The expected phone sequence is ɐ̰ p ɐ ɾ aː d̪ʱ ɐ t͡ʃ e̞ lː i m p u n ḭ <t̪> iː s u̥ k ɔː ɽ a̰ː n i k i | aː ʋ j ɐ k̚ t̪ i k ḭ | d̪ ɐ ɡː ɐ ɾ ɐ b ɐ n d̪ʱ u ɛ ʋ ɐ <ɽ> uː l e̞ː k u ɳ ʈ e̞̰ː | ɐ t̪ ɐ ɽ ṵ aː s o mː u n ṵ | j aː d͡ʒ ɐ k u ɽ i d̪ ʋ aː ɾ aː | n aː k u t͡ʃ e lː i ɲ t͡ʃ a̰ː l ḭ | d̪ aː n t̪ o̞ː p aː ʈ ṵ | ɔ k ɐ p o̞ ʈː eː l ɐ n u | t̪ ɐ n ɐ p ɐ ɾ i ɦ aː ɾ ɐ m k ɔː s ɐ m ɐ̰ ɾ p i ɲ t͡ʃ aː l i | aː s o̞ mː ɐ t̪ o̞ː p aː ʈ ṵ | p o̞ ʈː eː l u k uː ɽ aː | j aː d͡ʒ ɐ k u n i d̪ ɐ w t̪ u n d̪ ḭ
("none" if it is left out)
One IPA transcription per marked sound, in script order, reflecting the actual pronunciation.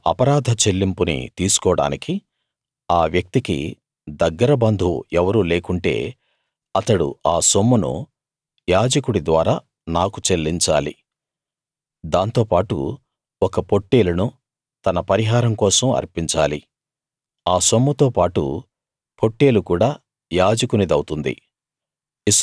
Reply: t̪, ɾ

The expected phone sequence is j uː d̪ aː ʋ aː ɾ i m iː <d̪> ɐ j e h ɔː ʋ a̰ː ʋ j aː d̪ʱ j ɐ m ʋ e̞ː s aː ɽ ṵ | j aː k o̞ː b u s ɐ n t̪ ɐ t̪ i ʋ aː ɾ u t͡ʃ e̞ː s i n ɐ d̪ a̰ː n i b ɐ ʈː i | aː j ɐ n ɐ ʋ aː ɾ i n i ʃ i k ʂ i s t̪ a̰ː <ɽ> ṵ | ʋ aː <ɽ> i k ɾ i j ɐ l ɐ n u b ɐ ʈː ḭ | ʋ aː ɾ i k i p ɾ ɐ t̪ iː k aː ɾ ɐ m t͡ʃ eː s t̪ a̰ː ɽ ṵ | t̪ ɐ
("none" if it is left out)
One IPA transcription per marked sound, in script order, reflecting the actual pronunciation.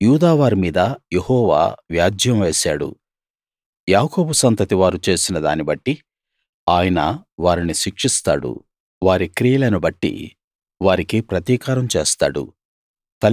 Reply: d̪, ɽ, ɾ

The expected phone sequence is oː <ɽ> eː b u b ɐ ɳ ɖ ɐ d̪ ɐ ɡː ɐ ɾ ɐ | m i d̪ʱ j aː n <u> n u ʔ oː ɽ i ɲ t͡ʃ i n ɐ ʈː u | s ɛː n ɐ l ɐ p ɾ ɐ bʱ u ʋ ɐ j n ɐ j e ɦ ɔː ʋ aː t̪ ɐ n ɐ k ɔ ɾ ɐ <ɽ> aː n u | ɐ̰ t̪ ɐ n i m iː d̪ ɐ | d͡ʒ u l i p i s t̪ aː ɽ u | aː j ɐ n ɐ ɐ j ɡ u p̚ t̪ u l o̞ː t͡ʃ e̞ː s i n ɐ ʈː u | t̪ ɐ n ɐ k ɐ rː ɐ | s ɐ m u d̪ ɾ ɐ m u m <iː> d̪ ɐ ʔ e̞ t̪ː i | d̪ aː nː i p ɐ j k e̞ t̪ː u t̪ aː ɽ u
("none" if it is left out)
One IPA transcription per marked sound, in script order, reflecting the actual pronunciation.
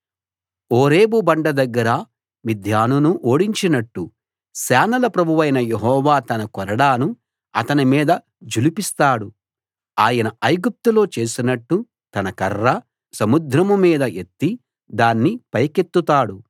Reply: ɾ, u, ɽ, iː

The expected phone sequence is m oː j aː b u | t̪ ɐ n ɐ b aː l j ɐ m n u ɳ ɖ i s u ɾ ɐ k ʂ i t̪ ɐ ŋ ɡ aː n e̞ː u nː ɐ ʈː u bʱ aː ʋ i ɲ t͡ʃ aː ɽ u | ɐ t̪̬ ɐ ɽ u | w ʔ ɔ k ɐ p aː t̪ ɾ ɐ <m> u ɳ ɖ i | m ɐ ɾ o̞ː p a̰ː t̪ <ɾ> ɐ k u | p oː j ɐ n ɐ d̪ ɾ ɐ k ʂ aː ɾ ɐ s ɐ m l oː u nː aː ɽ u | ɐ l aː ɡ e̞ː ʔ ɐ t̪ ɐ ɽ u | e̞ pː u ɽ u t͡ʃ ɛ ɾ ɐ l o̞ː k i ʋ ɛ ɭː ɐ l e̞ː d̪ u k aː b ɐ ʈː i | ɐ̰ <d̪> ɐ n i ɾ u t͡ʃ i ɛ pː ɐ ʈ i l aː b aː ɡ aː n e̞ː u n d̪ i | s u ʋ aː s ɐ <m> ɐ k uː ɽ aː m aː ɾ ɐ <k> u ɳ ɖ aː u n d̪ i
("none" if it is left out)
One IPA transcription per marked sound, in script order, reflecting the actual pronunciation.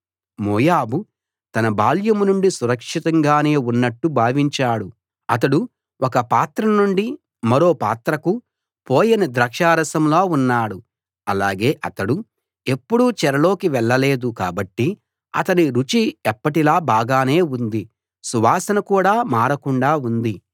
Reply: n, ɾ, t̪, n, k

